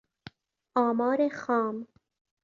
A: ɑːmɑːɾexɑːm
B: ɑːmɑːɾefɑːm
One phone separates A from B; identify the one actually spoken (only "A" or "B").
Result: A